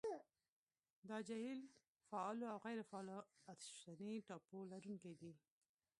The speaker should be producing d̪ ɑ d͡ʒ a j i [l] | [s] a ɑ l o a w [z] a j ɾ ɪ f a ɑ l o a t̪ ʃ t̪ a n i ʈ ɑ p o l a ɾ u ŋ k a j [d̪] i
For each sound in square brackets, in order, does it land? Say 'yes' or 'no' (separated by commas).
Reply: yes, no, no, yes